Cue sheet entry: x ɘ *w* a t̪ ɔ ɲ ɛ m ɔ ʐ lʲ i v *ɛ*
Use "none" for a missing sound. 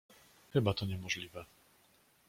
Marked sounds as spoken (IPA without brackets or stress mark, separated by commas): b, ɛ